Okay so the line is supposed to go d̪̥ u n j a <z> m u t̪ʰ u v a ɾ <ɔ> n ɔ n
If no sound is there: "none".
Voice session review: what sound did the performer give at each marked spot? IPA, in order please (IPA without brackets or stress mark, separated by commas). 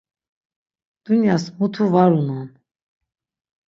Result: s, u